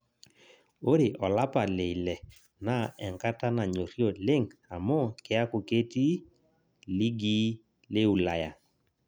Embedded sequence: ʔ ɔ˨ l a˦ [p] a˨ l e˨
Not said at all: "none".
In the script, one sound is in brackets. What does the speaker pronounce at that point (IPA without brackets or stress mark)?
p